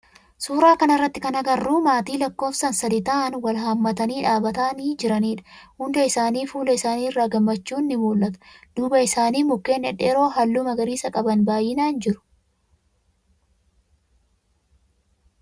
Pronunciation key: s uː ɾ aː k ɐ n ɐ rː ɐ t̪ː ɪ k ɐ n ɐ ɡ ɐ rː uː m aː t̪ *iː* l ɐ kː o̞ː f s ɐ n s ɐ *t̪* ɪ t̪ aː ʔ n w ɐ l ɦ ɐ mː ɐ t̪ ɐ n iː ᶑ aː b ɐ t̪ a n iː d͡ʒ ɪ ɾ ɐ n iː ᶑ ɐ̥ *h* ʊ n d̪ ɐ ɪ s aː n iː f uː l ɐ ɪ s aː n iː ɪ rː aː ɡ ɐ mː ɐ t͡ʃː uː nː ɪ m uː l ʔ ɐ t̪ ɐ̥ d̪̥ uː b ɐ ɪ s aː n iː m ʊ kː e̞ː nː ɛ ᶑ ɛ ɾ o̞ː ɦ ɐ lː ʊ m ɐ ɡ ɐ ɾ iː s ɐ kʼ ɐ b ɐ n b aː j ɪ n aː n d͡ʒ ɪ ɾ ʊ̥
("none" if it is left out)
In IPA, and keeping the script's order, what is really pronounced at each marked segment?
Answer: iː, d̪, h

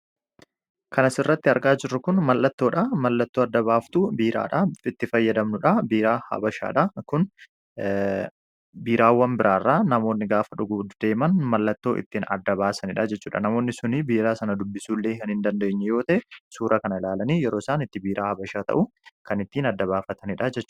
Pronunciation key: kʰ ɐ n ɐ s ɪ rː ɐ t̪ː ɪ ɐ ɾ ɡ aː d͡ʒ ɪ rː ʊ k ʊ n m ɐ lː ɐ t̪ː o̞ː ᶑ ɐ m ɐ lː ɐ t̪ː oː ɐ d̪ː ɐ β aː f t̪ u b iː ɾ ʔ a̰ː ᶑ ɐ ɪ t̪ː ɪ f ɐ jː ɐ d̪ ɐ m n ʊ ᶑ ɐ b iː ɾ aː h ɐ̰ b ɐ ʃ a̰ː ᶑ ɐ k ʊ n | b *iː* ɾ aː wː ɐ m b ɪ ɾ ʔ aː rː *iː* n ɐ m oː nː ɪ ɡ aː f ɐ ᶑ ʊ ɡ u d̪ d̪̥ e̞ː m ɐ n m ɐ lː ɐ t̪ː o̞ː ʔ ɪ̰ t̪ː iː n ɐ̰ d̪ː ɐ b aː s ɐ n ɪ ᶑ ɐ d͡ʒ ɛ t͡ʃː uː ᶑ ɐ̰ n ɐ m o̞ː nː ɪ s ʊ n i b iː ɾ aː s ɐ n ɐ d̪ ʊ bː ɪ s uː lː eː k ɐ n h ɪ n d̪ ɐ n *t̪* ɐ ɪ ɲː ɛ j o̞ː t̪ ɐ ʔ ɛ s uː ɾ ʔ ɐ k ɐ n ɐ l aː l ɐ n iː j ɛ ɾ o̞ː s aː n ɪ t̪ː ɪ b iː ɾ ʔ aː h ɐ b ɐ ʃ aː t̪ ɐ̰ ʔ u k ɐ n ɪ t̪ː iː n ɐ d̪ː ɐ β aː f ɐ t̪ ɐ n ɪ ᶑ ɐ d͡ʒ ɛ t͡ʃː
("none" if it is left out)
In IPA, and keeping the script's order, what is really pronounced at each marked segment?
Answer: iː, aː, d̪

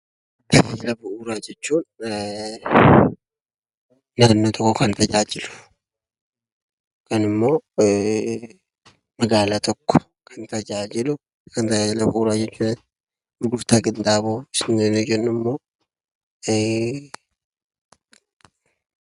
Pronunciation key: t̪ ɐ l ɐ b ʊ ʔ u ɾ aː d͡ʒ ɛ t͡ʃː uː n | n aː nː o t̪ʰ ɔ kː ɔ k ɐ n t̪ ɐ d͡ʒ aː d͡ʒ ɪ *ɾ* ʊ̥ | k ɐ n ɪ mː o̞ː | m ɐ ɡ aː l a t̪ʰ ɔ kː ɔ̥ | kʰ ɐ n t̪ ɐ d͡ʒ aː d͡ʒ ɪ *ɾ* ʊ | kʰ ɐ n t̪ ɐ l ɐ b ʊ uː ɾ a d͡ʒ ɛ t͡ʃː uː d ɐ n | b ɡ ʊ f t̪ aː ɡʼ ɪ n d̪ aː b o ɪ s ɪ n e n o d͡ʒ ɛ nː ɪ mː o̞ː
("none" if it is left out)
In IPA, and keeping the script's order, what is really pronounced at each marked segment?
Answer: l, l

